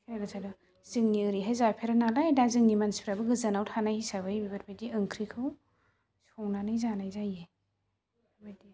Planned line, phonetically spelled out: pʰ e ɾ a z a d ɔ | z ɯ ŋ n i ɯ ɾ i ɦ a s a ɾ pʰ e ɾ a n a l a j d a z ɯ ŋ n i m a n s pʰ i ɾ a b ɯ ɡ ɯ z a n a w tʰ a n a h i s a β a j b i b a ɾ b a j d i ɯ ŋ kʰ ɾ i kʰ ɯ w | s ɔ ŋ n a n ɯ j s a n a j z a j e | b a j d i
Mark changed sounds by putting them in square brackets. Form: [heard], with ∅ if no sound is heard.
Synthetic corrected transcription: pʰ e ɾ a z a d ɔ | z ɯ ŋ n i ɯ ɾ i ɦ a [z] a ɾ pʰ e ɾ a n a l a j d a z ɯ ŋ n i m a n s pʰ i ɾ a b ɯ ɡ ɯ z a n a w tʰ a n a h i s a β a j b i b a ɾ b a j d i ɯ ŋ kʰ ɾ i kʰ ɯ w | s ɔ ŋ n a n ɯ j [z] a n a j z a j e | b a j d i